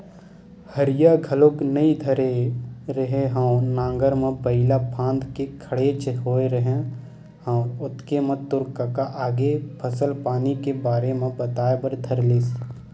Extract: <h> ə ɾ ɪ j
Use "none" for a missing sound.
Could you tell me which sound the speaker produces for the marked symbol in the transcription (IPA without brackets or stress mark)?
h